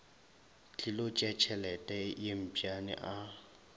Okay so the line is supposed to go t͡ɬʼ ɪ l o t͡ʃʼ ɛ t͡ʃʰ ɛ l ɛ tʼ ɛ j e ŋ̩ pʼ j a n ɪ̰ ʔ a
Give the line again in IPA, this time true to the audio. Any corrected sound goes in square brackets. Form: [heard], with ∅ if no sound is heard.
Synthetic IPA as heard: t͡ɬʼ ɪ l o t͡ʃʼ ɛ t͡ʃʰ ɛ l ɛ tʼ ɛ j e [m̩] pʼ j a n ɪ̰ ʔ a